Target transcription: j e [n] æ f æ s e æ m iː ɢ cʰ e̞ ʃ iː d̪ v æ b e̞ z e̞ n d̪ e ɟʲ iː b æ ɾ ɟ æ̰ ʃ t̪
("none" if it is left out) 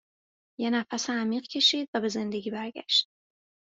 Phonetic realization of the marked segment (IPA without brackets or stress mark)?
n